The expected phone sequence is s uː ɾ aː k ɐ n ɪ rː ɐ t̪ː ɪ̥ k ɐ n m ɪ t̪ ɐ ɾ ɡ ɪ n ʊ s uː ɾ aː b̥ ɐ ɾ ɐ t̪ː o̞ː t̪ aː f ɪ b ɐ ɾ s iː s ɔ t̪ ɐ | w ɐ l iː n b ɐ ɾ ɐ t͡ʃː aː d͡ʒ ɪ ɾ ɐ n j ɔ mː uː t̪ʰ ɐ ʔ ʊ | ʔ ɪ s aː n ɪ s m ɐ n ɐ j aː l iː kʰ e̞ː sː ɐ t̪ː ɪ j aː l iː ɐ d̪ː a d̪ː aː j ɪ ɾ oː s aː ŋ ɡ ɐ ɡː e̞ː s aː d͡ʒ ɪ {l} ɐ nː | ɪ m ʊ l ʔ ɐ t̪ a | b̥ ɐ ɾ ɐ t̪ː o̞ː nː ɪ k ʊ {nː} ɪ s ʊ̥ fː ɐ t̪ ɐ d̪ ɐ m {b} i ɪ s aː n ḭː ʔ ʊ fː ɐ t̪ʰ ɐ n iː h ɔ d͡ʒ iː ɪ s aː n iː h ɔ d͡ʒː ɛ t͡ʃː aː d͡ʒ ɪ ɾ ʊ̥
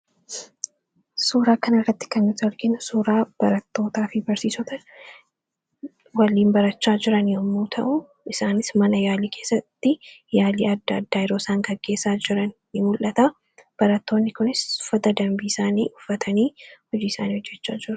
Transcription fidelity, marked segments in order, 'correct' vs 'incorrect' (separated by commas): incorrect, incorrect, correct